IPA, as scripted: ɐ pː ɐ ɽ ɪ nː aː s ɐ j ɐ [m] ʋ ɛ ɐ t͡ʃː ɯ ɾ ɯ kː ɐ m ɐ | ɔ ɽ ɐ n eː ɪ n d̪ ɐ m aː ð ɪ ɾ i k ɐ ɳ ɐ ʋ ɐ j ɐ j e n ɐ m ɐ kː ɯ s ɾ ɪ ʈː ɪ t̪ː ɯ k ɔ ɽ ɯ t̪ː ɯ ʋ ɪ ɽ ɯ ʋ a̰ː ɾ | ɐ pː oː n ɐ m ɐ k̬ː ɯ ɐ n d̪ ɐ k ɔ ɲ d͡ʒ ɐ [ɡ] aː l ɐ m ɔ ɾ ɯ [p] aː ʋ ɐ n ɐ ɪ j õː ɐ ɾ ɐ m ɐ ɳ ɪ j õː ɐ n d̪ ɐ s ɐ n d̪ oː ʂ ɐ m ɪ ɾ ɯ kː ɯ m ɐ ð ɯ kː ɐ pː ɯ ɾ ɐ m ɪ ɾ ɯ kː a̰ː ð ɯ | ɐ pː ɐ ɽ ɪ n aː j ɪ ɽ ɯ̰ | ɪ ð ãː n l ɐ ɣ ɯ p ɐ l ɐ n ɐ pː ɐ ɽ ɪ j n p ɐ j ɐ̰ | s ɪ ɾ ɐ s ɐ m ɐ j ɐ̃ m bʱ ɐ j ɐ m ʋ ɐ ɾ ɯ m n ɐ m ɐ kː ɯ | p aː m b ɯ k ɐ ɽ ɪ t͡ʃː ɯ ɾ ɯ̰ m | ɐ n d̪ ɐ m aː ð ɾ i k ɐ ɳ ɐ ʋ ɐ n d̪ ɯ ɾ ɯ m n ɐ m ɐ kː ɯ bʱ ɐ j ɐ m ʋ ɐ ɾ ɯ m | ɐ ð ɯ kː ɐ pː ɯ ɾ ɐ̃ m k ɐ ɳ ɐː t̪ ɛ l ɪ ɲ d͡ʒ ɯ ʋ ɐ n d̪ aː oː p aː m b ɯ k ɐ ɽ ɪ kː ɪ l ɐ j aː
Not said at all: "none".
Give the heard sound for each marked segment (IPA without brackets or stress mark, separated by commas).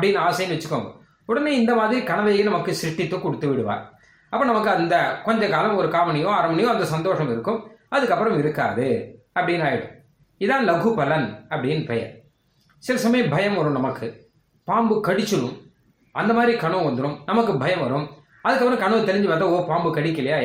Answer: n, k, k